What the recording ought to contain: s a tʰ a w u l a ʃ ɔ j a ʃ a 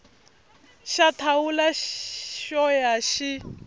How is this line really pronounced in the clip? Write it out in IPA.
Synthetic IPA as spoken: ʃ a tʰ a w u l a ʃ ɔ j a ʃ i

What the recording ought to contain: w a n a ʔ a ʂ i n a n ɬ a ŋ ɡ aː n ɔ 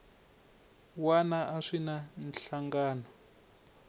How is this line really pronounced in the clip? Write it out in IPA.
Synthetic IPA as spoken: w a n a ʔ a ʂ i n a n ɬ a ŋ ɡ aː n ɔ

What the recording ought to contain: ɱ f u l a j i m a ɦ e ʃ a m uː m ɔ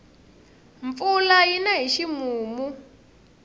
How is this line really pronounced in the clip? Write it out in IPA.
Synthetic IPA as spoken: ɱ f u l a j i n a ɦ i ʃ i m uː m u

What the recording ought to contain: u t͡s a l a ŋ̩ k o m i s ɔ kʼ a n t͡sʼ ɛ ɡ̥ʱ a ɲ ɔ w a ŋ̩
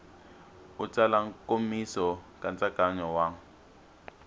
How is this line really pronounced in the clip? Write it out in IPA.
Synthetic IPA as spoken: u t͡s a l a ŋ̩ k o m i s ɔ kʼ a n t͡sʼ a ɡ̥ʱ a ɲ ɔ w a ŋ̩

